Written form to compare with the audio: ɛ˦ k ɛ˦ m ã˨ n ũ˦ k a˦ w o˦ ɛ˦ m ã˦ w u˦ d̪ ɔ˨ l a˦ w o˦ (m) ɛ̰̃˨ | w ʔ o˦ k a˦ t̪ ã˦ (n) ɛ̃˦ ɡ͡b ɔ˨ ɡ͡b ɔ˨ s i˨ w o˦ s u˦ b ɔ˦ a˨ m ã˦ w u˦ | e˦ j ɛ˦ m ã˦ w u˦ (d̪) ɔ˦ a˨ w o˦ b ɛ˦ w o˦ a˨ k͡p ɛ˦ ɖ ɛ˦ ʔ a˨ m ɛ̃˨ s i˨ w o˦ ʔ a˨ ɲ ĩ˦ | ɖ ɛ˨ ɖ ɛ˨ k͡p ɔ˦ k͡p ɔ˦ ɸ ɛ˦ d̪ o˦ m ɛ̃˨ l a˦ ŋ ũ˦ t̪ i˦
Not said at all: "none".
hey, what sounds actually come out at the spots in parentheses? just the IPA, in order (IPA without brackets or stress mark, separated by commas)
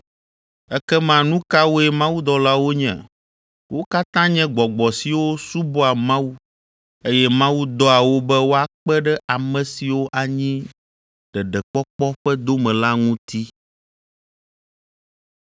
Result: ɲ, ɲ, d̪